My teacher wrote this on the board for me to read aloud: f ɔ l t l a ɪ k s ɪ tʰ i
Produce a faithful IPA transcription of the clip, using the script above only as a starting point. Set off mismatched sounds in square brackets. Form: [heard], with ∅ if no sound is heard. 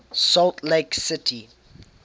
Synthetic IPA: [s] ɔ l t l [e] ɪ k s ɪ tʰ i

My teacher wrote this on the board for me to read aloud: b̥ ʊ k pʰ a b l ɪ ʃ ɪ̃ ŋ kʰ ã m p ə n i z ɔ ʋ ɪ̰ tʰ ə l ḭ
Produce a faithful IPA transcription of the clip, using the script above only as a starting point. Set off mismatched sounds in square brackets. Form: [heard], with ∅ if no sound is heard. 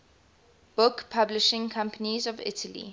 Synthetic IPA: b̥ ʊ k pʰ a b l ɪ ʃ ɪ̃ ŋ kʰ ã m p ə n i z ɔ [v] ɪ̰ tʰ ə l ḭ

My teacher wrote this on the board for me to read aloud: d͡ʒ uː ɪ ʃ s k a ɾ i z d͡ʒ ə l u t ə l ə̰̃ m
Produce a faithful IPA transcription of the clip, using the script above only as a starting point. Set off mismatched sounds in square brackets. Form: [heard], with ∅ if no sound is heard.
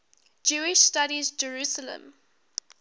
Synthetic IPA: d͡ʒ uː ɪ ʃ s [t] a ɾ i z d͡ʒ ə [ɹ] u [s] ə l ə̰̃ m

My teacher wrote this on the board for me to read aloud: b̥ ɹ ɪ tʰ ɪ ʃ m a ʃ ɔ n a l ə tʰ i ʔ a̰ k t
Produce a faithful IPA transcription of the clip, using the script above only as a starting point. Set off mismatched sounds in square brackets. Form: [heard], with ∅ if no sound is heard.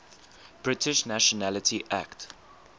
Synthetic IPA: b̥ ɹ ɪ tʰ ɪ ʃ [n] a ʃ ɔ n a l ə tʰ i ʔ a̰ k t

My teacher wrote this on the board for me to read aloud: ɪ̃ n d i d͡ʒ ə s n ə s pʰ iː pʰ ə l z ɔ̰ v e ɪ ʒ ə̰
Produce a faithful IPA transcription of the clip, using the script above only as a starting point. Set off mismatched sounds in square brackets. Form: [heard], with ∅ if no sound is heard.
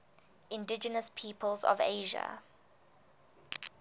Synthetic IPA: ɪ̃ n d [ɪ] d͡ʒ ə [∅] n ə s pʰ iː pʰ ə l z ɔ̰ v e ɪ ʒ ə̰

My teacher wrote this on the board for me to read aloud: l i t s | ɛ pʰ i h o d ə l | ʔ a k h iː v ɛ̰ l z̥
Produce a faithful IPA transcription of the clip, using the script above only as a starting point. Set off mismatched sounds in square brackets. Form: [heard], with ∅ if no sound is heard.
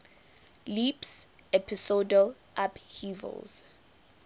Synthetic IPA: l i [p] s | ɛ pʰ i [s] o d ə l | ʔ a [p] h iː v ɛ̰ l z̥

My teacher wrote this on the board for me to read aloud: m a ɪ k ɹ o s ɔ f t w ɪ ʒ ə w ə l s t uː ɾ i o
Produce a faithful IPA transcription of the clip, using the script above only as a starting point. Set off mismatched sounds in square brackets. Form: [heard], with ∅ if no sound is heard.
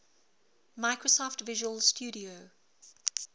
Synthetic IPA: m a ɪ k ɹ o s ɔ f t [v] ɪ ʒ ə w ə l s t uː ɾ i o

